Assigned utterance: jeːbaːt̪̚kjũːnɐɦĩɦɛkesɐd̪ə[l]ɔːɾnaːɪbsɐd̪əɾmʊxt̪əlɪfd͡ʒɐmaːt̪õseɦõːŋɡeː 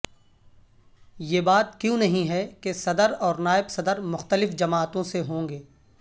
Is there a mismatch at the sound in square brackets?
yes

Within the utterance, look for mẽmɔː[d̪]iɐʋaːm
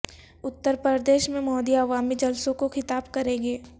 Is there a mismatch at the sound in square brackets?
no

